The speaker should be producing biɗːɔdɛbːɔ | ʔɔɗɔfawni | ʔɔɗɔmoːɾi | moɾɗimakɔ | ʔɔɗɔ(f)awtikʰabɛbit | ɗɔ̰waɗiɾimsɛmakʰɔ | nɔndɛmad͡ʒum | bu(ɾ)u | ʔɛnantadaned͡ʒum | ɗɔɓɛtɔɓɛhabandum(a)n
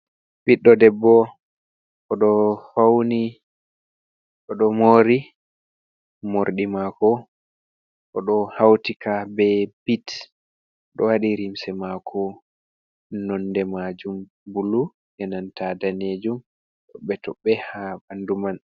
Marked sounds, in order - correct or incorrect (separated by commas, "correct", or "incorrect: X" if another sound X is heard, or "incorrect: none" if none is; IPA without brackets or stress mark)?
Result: incorrect: h, incorrect: l, correct